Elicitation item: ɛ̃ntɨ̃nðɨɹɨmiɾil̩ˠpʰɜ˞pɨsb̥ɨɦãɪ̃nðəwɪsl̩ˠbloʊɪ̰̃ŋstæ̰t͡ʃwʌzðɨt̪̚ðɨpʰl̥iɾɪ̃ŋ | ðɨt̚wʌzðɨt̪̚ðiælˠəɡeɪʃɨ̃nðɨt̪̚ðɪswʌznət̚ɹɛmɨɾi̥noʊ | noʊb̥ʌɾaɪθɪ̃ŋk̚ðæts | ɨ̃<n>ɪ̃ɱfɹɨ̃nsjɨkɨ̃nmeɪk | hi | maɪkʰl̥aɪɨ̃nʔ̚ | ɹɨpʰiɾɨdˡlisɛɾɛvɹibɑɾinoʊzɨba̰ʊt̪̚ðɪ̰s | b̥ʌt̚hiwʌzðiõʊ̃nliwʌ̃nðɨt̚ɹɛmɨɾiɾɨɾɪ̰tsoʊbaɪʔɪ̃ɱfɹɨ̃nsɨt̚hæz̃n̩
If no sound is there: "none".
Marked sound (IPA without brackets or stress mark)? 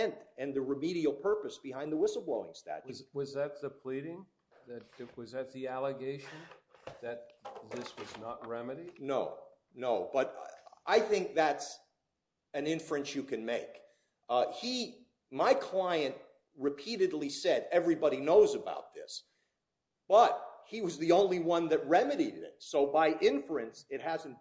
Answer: n